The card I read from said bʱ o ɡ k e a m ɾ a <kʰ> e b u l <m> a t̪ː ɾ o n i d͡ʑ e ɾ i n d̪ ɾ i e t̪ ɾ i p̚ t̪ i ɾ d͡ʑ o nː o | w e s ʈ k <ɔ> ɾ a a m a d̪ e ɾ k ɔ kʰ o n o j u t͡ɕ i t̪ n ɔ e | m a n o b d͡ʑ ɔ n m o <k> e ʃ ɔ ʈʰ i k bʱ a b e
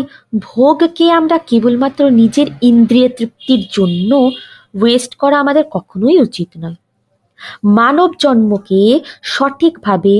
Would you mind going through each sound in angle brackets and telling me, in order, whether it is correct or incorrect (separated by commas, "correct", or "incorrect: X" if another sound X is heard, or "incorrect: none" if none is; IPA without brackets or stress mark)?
incorrect: k, correct, correct, correct